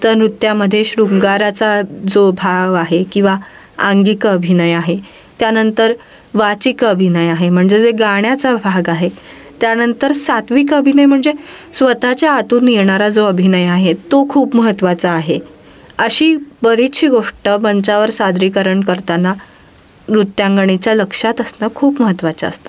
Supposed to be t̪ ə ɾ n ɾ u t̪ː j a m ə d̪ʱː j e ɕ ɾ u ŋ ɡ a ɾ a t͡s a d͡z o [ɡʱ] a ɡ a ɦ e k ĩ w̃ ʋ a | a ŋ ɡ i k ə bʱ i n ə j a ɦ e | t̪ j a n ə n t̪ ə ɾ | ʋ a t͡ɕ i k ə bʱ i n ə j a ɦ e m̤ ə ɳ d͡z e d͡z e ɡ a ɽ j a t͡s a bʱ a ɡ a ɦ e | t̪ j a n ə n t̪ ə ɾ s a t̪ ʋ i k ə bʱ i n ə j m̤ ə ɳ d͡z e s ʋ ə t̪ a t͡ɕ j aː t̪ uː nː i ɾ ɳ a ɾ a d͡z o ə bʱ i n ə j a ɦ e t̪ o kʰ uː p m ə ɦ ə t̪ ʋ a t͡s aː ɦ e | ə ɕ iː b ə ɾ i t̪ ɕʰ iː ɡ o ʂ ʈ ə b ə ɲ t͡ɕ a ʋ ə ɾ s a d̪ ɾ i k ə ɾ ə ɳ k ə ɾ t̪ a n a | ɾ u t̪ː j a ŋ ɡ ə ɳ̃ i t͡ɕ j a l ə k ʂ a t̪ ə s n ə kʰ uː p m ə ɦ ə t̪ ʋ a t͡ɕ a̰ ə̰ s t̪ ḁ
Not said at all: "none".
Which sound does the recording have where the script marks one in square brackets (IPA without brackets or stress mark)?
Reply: bʱ